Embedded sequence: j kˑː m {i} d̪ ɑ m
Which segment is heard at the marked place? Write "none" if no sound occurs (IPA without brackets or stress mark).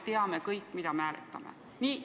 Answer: i